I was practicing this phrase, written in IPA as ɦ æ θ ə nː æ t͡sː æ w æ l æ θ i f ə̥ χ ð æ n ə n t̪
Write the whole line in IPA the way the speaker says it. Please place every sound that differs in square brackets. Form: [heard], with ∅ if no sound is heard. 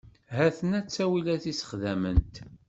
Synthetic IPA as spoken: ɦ æ θ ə [n] æ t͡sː æ w [i] l æ θ i [s] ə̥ χ ð æ [m] ə n t̪